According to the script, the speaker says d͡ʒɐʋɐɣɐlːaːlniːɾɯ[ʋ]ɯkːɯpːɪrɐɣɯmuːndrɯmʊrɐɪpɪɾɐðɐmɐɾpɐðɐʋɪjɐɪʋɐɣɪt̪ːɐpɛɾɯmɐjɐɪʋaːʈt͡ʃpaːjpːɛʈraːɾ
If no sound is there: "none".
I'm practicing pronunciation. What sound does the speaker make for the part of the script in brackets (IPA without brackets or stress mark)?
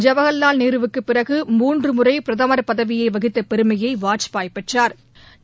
ʋ